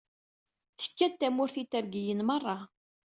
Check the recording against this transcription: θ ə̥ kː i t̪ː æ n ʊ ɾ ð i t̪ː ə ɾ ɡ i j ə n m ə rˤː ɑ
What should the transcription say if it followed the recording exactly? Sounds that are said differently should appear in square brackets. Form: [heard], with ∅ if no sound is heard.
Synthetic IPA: θ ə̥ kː [æ] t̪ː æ [m] ʊ ɾ [θ] i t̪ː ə ɾ ɡ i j ə n m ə rˤː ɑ